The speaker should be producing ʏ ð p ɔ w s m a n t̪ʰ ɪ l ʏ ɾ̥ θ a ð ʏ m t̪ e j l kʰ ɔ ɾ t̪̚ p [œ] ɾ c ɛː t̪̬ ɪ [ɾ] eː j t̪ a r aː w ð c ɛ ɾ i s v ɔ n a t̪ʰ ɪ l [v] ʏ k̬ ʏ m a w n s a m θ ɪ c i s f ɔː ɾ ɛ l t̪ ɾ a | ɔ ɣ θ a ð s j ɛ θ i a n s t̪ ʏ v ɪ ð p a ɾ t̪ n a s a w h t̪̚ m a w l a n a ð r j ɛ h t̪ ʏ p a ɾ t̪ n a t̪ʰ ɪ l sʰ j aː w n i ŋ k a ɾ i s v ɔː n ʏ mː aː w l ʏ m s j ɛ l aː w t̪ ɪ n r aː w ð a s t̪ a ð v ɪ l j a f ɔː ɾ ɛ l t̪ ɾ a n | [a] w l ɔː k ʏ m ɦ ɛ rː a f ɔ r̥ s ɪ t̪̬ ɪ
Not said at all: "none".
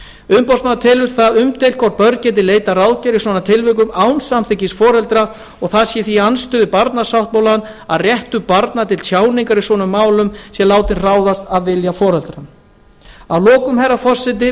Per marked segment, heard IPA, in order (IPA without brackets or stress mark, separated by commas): œ, l, v, a